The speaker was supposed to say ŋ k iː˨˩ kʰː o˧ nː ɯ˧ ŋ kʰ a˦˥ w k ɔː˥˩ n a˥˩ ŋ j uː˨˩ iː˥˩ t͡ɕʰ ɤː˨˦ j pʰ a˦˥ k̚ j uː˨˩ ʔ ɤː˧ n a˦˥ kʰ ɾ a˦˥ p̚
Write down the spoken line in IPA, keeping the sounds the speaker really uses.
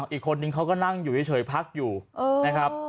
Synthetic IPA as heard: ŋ ʔ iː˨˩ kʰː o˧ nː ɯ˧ ŋ kʰ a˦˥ w k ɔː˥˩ n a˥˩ ŋ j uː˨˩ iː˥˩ t͡ɕʰ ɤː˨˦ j pʰ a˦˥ k̚ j uː˨˩ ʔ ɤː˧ n a˦˥ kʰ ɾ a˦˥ p̚